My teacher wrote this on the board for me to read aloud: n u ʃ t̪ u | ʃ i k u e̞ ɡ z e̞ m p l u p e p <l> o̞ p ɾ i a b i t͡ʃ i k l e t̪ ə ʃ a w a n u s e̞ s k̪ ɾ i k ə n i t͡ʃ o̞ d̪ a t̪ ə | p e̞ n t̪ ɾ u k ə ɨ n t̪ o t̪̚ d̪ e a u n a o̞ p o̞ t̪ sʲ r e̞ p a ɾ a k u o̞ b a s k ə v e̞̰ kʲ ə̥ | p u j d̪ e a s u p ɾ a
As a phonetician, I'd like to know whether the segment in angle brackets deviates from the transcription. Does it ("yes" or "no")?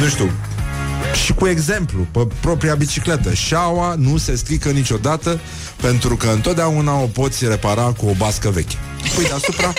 yes